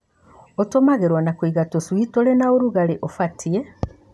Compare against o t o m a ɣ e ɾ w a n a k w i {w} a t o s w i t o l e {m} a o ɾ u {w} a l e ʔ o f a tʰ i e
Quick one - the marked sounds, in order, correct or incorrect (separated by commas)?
incorrect, incorrect, incorrect